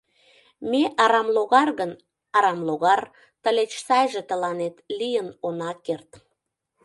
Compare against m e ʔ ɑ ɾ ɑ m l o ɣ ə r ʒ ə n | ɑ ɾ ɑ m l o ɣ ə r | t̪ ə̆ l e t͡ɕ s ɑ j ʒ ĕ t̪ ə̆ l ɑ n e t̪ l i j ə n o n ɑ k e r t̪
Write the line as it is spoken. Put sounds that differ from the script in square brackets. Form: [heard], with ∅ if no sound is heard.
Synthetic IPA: m e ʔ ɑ ɾ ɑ m l o ɣ [ɑ] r [ɣ] ə n | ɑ ɾ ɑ m l o ɣ [ɑ] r | t̪ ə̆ l e t͡ɕ s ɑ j ʒ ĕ t̪ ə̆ l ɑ n e t̪ l i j ə n o n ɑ k e r t̪